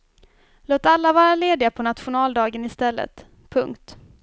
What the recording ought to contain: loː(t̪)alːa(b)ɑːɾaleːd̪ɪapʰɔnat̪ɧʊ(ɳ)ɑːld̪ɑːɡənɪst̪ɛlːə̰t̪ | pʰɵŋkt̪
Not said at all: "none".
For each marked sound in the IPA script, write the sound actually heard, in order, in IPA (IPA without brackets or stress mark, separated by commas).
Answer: t̪, v, n